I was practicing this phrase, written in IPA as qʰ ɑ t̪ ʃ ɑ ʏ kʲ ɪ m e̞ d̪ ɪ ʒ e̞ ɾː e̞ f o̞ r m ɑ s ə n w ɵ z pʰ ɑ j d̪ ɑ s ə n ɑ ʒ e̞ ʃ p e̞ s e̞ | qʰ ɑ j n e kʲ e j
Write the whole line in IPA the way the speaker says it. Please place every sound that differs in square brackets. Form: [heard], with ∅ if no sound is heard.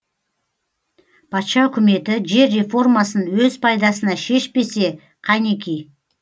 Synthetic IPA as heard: [pʰ] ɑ t̪ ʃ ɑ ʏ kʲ ɪ m e̞ [t̪] ɪ ʒ e̞ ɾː e̞ f o̞ r m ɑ s ə n w ɵ z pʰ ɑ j d̪ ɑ s ə n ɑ [ʃ] e̞ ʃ p e̞ s e̞ | qʰ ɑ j n e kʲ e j